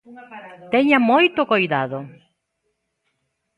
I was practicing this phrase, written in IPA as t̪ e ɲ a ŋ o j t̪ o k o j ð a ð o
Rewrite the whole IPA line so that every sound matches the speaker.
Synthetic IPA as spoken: t̪ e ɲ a m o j t̪ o k o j ð a ð o